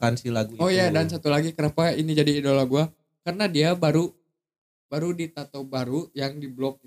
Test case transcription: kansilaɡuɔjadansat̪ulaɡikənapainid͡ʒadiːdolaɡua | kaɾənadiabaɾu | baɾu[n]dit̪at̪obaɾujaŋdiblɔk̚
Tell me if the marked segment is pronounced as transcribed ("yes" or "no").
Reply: no